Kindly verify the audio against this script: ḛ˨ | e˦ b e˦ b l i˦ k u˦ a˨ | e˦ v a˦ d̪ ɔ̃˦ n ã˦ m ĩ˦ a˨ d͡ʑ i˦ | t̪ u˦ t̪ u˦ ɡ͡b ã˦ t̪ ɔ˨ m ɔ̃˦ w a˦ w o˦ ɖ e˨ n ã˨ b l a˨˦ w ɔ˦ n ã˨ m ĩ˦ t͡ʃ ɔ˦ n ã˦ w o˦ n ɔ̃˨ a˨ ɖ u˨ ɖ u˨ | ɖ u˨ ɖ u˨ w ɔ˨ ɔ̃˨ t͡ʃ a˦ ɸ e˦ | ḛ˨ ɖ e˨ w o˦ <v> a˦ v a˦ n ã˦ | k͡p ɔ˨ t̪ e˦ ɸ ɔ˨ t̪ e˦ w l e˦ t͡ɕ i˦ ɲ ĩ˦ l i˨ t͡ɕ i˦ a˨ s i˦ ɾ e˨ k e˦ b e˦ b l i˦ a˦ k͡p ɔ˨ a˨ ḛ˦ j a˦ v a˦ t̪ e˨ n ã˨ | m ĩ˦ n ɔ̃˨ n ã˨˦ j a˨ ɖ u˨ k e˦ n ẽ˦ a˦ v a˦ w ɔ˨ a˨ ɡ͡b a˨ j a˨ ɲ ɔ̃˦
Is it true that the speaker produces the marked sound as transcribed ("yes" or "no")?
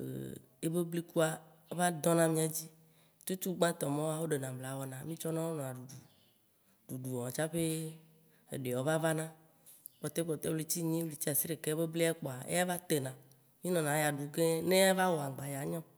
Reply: yes